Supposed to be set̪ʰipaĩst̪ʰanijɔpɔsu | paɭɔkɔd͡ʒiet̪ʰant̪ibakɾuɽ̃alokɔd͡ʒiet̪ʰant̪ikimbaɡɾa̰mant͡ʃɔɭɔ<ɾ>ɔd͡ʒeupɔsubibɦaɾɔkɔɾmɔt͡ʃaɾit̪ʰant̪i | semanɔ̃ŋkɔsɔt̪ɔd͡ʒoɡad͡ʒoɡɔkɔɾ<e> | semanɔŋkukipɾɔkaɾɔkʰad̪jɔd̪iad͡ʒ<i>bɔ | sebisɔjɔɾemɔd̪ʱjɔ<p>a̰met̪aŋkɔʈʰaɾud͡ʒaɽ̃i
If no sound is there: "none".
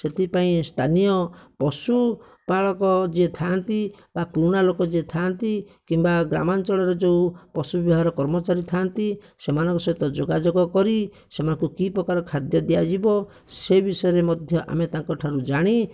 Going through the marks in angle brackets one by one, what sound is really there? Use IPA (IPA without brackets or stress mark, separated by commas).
ɾ, i, i, ʔ